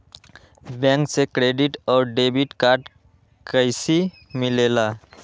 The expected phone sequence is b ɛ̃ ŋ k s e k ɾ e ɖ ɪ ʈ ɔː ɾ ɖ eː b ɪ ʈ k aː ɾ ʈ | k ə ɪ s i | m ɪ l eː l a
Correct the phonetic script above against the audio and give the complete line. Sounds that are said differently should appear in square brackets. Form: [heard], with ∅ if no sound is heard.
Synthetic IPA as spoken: b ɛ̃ ŋ k s e k ɾ e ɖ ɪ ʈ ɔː ɾ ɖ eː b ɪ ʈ k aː ɾ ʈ | k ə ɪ s i | m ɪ l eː l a